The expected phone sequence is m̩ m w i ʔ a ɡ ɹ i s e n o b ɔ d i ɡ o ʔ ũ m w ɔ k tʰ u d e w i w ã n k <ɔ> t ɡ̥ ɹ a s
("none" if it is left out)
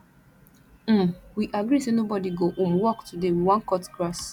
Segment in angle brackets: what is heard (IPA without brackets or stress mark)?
ɔ